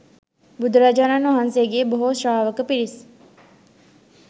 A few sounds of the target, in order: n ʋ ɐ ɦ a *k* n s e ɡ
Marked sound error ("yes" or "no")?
yes